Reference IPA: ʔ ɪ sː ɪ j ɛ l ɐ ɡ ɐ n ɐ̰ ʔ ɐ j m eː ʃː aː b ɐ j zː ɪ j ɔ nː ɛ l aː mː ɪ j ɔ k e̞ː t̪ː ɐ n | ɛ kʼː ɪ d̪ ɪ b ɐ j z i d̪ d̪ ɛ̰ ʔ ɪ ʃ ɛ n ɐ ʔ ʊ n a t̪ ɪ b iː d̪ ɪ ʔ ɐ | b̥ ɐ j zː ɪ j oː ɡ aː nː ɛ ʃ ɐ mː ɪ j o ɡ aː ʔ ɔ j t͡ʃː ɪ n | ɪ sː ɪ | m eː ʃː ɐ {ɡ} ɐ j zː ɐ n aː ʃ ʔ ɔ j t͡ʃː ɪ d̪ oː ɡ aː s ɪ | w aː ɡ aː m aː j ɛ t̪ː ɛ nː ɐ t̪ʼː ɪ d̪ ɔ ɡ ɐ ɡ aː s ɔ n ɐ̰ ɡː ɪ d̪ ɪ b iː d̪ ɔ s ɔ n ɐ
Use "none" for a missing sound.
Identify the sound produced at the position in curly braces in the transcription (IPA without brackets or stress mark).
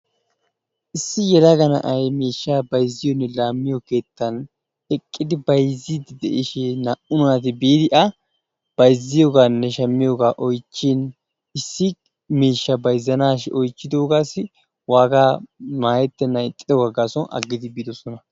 b